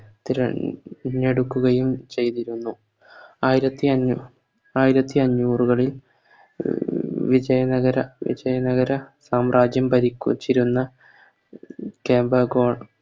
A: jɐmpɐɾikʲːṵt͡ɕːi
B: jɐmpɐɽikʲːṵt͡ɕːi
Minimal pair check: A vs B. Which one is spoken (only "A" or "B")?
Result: A